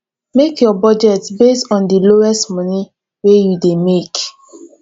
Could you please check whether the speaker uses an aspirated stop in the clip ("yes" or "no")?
no